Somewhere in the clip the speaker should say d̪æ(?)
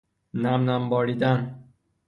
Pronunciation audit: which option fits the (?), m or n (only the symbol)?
n